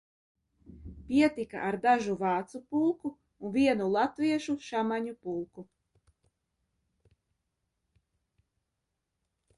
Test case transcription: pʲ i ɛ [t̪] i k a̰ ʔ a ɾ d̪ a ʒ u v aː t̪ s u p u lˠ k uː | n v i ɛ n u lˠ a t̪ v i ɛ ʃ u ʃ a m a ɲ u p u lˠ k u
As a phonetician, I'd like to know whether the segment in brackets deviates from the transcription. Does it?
no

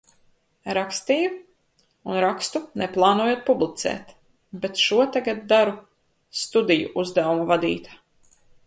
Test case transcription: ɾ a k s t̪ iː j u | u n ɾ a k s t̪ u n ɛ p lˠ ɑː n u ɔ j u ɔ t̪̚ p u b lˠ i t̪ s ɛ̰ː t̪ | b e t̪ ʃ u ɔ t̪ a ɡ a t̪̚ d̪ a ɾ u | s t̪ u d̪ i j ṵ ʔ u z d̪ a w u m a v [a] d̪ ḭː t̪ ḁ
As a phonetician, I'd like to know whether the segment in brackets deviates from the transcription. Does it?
no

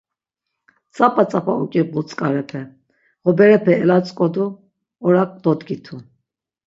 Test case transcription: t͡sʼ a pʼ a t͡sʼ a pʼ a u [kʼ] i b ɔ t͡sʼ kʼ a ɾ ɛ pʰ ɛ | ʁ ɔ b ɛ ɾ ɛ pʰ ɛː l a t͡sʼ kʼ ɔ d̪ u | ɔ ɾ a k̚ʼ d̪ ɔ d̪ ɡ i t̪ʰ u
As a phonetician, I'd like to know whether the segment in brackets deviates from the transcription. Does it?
no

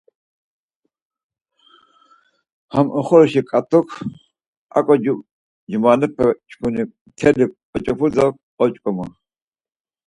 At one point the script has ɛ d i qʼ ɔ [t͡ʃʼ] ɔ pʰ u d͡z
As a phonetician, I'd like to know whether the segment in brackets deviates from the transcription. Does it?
no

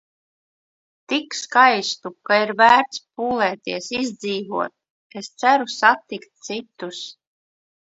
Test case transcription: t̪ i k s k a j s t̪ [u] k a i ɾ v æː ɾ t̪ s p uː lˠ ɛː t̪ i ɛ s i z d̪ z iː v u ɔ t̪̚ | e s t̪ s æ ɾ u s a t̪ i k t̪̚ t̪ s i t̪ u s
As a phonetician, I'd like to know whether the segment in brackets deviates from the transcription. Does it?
no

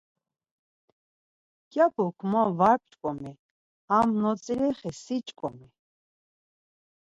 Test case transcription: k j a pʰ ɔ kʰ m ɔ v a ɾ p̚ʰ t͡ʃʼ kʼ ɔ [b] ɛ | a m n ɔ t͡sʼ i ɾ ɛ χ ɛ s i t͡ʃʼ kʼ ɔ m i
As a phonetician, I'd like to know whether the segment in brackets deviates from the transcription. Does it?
yes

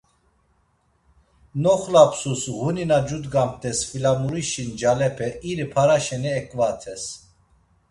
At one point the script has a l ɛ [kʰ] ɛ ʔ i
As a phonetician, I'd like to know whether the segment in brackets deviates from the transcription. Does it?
yes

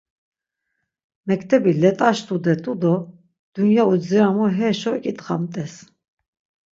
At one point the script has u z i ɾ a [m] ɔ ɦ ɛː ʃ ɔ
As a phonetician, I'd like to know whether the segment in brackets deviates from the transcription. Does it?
no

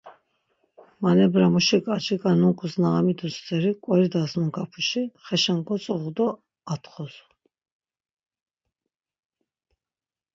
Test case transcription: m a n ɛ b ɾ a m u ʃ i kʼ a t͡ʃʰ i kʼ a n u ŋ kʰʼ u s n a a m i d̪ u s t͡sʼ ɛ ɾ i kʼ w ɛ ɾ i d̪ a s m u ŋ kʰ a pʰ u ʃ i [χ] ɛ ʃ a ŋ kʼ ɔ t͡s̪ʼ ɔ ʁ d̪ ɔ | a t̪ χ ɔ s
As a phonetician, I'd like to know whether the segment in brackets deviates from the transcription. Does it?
no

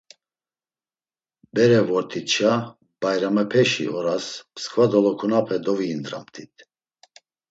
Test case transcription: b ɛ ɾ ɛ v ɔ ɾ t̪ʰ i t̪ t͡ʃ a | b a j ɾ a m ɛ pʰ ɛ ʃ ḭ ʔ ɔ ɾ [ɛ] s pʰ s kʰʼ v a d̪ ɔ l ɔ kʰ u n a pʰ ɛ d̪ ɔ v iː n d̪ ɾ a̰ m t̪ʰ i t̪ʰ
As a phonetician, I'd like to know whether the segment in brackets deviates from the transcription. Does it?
yes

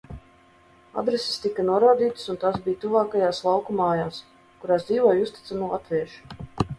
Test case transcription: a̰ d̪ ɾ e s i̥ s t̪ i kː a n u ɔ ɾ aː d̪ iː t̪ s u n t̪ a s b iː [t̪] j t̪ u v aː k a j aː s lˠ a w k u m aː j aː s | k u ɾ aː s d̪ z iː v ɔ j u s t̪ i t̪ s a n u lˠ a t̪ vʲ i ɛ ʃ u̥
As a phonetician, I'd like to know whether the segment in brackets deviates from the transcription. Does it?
yes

